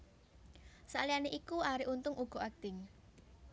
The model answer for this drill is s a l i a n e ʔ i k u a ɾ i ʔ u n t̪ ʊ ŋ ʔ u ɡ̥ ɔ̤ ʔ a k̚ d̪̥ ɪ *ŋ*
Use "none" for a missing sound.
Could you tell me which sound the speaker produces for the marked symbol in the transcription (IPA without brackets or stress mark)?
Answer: ŋ